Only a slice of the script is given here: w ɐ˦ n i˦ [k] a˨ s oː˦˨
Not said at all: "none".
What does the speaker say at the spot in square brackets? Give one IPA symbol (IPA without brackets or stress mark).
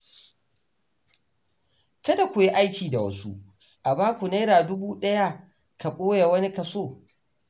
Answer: k